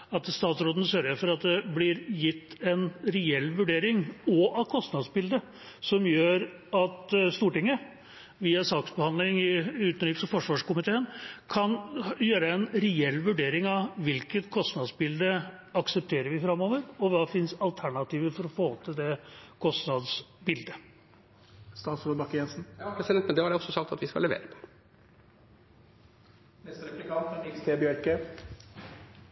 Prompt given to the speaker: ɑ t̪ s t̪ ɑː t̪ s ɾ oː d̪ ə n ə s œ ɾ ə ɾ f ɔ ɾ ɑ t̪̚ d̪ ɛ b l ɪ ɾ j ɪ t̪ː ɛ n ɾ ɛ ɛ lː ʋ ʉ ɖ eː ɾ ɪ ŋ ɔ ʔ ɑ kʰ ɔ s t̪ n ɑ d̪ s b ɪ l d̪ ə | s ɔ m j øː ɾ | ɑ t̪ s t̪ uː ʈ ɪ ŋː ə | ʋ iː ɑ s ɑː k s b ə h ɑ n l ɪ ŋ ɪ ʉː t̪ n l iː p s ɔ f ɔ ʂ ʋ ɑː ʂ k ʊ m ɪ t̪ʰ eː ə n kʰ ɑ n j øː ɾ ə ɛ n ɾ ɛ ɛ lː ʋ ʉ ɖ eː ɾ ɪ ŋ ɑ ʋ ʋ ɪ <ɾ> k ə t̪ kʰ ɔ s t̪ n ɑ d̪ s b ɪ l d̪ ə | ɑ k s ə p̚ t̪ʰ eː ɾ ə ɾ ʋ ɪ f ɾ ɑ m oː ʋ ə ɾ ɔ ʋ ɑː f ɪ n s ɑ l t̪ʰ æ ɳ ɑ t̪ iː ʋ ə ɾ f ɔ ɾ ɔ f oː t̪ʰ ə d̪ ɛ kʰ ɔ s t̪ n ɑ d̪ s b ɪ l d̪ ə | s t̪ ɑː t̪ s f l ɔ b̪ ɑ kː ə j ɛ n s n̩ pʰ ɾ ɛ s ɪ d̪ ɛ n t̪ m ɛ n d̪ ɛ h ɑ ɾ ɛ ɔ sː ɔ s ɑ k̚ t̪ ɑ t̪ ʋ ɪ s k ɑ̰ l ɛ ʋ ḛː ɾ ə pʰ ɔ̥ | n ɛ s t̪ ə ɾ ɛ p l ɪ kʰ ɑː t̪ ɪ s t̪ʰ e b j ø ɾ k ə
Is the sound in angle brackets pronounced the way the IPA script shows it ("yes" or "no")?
no